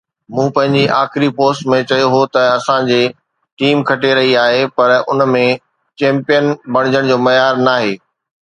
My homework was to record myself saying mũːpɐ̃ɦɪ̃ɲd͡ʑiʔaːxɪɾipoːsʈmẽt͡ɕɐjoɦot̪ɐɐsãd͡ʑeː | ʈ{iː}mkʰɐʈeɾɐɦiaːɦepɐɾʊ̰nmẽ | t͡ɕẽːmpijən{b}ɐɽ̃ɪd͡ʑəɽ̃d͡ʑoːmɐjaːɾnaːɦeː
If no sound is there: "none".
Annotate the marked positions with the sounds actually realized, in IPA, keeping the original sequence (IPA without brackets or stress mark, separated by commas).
iː, b